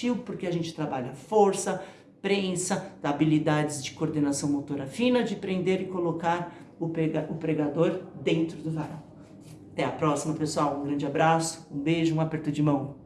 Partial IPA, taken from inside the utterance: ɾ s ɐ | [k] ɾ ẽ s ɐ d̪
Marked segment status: incorrect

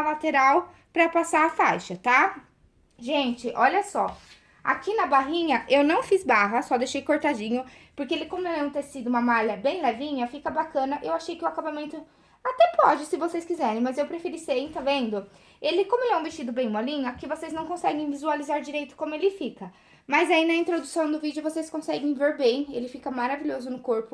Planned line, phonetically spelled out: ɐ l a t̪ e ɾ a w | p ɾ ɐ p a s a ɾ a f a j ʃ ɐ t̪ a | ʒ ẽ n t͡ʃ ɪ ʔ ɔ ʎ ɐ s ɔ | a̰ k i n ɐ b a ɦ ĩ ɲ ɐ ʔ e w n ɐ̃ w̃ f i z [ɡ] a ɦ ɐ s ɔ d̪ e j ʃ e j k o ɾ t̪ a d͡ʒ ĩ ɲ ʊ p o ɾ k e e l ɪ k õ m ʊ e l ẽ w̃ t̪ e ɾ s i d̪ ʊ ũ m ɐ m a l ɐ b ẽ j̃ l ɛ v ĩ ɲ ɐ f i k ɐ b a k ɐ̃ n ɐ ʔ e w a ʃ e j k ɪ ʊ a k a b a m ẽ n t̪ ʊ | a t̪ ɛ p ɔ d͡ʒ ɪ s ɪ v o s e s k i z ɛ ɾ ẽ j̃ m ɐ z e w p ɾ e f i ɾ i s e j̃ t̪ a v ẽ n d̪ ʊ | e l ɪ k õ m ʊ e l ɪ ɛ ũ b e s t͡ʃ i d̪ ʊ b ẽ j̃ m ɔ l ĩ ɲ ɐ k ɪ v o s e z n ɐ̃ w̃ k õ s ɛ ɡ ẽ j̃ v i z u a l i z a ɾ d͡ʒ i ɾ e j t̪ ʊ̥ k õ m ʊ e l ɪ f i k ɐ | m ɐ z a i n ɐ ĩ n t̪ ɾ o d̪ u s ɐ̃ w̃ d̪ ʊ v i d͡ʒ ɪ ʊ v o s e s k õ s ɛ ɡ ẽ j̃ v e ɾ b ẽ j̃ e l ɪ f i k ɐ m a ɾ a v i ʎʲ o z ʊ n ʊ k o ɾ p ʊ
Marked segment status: incorrect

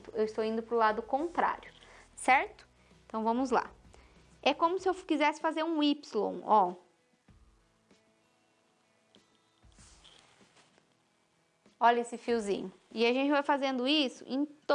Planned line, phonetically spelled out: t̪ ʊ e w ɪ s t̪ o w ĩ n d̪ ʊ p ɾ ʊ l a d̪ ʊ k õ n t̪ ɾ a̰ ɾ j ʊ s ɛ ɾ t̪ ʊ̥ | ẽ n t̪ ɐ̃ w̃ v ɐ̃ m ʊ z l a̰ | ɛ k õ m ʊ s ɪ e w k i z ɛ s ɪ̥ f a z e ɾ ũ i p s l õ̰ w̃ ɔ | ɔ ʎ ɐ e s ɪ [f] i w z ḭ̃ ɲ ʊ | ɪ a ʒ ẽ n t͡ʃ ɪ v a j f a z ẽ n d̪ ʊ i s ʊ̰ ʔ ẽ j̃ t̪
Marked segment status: correct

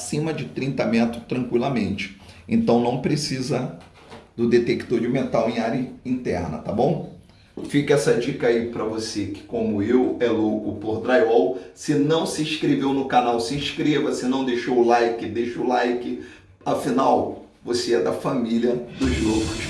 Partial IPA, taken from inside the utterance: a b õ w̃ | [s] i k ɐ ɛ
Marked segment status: incorrect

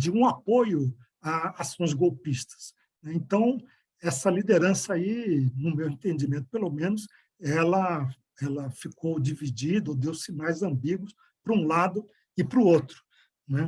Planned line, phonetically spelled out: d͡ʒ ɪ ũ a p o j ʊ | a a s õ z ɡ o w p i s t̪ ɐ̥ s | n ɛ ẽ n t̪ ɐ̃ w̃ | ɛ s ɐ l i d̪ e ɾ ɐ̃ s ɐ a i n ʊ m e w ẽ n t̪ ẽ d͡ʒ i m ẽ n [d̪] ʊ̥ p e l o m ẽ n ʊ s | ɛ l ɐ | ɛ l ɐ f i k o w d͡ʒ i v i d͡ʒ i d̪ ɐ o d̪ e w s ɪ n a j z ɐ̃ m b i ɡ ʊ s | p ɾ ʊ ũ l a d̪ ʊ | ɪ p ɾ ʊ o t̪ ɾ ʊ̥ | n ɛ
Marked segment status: incorrect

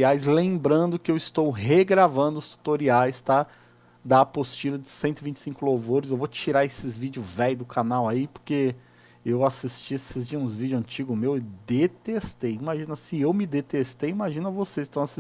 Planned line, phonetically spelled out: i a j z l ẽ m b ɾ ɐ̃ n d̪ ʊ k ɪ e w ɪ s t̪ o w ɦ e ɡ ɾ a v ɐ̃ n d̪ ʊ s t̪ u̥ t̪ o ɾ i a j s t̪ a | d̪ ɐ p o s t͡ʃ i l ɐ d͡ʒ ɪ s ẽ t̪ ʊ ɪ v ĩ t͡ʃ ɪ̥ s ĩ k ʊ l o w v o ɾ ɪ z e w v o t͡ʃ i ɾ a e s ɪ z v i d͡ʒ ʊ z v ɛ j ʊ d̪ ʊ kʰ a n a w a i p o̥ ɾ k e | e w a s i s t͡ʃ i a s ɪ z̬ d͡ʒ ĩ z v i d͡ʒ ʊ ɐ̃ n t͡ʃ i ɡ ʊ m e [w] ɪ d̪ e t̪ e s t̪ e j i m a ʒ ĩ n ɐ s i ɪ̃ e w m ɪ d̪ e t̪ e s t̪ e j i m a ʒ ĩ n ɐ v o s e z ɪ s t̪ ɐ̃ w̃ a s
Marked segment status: correct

